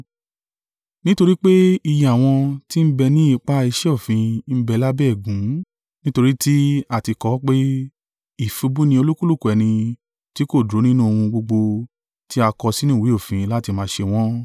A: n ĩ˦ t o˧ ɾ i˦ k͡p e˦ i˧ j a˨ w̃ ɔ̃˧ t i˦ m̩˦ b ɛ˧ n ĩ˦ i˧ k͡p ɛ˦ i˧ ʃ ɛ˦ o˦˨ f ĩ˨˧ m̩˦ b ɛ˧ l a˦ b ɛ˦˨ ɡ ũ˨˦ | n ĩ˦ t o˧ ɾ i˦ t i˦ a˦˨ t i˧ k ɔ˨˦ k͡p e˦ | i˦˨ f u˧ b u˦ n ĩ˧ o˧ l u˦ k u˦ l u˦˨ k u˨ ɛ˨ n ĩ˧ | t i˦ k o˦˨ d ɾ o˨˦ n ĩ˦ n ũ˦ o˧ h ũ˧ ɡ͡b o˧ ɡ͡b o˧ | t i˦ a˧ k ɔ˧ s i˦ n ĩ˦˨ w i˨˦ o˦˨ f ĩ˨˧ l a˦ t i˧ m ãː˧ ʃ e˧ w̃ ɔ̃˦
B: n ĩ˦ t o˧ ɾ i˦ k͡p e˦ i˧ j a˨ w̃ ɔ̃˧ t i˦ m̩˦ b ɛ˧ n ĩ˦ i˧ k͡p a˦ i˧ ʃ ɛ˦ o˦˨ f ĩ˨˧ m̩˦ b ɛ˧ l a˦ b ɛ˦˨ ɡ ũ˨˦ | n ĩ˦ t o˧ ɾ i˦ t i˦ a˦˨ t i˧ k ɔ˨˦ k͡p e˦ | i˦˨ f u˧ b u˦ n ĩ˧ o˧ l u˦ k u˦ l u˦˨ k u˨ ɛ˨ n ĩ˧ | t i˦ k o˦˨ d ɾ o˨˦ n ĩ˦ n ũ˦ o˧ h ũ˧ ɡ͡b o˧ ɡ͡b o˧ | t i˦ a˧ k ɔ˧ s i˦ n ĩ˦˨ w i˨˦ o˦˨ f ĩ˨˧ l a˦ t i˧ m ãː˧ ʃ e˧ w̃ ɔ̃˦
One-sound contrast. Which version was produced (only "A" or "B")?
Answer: B